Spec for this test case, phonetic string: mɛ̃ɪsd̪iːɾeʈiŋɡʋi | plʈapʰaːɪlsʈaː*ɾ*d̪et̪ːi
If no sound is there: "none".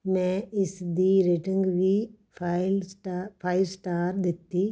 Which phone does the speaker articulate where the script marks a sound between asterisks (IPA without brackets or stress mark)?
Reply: ɾ